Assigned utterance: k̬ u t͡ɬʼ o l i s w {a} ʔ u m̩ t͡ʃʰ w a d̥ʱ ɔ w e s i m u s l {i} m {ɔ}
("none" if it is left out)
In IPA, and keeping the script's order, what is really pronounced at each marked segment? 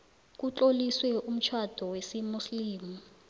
ɛ, iː, u

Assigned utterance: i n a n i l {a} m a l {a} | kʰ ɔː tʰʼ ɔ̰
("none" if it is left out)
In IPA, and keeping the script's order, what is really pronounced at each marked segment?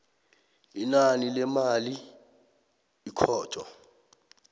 ɛ, i

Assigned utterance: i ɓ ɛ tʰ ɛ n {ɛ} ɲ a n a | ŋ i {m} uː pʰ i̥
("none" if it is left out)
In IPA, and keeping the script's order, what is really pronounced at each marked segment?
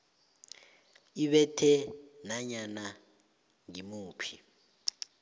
a, m

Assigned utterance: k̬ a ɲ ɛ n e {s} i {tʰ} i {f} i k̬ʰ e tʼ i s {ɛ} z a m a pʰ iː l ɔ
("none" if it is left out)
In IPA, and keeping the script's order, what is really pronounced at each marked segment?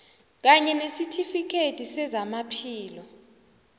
s, tʰ, f, ɛ

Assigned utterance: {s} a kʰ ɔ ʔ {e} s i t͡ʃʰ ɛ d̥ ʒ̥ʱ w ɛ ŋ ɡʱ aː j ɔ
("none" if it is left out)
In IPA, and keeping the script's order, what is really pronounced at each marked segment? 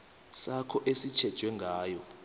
s, e

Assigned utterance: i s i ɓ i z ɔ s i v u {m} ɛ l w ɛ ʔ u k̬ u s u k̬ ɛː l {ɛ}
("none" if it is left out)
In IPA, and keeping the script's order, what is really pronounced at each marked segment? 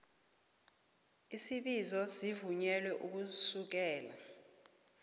ɲ, a

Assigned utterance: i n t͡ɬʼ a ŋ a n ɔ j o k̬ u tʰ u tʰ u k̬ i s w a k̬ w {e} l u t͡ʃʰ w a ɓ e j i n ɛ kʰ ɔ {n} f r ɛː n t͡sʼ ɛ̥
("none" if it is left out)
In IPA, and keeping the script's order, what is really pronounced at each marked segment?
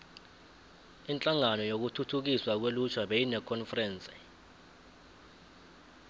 e, n

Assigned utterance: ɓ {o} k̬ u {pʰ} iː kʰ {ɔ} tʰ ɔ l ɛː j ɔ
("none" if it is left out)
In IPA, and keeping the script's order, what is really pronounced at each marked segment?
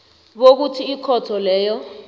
o, tʰ, ɔ

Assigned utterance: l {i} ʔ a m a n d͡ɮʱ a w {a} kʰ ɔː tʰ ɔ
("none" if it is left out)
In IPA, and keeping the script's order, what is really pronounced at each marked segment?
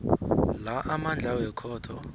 a, ɛ

